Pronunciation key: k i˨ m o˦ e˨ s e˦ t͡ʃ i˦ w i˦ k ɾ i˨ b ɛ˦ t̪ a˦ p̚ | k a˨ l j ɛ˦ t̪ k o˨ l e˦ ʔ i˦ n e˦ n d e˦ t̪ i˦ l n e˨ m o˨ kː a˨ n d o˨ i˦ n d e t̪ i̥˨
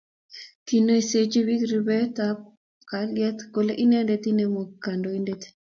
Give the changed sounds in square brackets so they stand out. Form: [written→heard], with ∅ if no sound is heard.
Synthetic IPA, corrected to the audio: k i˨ [m→n] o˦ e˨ s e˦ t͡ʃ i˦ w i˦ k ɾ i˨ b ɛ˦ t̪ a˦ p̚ | k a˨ l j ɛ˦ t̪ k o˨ l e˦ ʔ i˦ n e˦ n d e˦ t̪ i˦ [l→∅] n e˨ m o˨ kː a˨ n d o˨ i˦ n d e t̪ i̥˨